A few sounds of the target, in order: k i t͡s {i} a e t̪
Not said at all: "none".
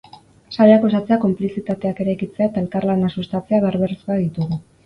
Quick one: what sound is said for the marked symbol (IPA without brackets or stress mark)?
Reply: e